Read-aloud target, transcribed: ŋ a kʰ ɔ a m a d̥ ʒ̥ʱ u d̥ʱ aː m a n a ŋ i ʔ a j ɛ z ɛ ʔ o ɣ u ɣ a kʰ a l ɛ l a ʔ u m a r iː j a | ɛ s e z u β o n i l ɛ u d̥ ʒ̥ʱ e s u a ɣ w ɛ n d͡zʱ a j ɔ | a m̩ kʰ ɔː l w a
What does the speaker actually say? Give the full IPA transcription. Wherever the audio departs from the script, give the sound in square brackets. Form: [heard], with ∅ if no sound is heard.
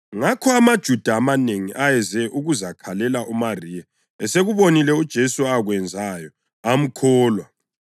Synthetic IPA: ŋ a kʰ ɔ a m a d̥ ʒ̥ʱ u d̥ʱ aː m a n [e] ŋ i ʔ a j ɛ z ɛ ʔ [u] ɣ u [z] a kʰ a l ɛ l a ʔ u m a r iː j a | ɛ s e [ɣ] u β o n i l ɛ u d̥ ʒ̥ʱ e s u a ɣ w ɛ n d͡zʱ a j ɔ | a m̩ kʰ ɔː l w a